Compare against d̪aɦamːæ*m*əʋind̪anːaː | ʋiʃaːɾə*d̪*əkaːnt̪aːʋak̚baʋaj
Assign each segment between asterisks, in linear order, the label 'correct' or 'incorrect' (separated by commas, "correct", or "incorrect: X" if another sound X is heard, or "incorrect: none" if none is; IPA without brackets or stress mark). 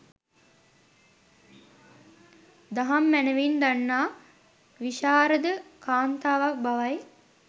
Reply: incorrect: n, correct